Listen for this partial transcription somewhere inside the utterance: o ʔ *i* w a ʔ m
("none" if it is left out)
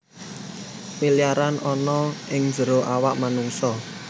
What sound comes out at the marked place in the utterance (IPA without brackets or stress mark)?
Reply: a